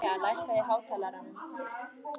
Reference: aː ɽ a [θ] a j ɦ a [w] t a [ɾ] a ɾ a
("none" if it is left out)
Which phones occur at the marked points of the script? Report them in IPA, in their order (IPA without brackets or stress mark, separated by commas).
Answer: ʃ, w, l